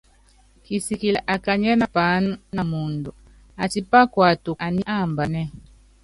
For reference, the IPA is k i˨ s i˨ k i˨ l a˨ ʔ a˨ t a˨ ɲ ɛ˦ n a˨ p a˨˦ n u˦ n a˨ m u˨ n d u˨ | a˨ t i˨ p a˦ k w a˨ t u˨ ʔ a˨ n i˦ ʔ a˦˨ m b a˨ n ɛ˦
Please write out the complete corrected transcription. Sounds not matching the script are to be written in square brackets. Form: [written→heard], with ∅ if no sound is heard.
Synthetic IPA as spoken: k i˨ s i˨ k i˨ l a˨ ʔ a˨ [t→k] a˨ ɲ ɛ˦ n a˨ p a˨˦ n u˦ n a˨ m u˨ n d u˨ | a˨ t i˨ p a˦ k w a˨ t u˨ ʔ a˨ n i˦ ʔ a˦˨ m b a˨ n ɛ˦